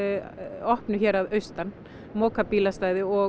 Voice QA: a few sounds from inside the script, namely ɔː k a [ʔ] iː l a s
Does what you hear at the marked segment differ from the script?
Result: yes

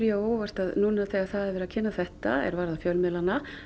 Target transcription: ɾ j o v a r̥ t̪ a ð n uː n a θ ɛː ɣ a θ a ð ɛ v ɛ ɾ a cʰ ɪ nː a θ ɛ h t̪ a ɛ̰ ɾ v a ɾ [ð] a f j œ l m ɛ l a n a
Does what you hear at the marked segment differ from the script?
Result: no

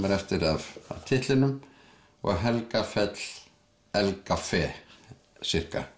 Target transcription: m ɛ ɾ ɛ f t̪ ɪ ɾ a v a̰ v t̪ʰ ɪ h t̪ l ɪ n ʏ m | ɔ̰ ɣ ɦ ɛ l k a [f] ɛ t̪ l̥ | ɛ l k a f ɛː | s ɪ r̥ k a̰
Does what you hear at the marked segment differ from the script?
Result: no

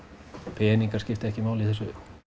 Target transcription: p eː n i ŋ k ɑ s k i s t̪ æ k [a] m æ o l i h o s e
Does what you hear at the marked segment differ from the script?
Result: yes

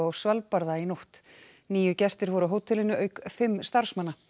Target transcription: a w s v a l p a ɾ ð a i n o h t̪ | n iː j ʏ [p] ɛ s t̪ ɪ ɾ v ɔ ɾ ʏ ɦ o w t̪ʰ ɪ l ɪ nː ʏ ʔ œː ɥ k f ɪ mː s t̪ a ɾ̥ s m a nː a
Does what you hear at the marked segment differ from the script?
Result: yes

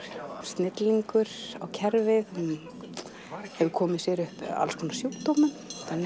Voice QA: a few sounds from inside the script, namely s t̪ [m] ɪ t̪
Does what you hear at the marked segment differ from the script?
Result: yes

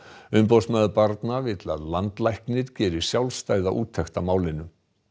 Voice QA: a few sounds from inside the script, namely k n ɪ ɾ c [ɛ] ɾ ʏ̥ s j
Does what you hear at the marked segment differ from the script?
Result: yes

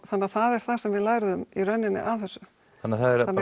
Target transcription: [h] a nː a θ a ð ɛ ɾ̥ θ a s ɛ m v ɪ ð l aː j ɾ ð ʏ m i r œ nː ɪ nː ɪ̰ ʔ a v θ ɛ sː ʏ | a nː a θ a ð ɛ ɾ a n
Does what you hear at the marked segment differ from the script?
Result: yes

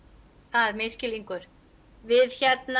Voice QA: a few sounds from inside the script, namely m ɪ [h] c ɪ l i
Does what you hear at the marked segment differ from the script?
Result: yes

